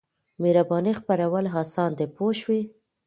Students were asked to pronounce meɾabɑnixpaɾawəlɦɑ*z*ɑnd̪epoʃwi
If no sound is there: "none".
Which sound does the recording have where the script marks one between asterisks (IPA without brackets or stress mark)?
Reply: s